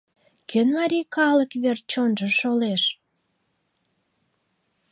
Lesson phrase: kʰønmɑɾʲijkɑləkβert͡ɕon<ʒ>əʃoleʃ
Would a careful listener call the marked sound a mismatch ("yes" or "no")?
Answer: no